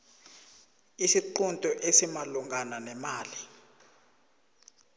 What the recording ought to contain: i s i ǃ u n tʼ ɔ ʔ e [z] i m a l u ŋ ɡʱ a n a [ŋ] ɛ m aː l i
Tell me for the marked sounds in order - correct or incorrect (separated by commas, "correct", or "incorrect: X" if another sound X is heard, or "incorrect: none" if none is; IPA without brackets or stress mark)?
incorrect: s, incorrect: n